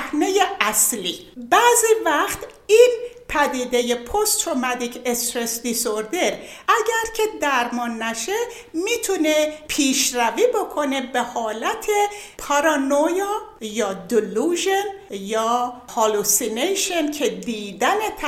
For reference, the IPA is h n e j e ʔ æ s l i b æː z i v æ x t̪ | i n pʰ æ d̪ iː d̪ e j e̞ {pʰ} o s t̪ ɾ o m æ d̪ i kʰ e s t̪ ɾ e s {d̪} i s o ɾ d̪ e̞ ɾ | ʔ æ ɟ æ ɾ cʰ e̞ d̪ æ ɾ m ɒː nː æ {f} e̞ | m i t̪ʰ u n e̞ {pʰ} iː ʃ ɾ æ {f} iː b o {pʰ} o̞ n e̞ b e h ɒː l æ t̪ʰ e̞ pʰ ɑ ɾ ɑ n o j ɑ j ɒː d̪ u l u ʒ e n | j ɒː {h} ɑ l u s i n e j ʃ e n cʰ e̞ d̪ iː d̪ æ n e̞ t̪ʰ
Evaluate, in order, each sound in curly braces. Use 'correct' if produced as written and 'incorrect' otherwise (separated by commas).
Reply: correct, correct, incorrect, correct, incorrect, incorrect, correct